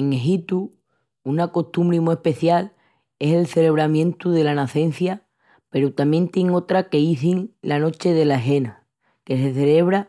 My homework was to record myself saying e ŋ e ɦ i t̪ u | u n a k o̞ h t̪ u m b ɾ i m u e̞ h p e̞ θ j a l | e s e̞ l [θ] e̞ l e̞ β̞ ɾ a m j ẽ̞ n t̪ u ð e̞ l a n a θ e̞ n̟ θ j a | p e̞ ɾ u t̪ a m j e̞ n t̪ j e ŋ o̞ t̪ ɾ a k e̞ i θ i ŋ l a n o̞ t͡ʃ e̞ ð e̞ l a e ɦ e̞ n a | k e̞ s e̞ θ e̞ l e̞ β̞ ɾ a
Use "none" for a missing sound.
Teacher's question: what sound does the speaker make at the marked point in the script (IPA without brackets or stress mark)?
θ